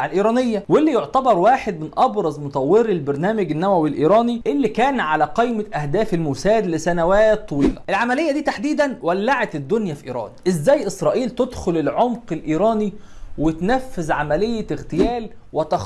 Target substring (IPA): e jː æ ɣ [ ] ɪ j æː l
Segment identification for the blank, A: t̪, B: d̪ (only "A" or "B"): A